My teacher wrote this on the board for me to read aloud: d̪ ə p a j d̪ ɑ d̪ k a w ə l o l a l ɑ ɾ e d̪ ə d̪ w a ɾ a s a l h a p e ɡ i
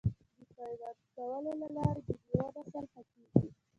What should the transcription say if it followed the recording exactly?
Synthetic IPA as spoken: d̪ ə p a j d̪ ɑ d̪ k a w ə l o l a l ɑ ɾ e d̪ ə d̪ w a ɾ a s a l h a k e ɡ i